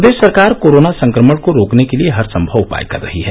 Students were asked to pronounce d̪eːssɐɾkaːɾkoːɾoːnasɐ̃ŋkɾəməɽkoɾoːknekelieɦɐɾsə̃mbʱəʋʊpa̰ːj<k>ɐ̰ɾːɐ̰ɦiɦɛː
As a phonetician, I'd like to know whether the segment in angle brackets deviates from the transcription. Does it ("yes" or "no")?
no